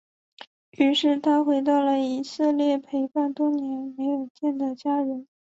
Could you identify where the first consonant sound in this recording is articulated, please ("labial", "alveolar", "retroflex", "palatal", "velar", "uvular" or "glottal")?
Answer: retroflex